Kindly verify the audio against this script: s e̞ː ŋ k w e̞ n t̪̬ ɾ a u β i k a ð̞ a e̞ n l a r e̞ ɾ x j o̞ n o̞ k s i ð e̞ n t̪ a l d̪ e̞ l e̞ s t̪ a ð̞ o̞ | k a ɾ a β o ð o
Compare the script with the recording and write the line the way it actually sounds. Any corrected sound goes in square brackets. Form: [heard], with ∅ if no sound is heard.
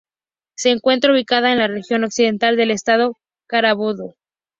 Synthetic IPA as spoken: s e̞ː ŋ k w e̞ n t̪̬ ɾ a u β i k a ð̞ a e̞ n l a r e̞ [∅] x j o̞ n o̞ k s i ð e̞ n t̪ a l d̪ e̞ l e̞ s t̪ a ð̞ o̞ | k a ɾ a β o ð o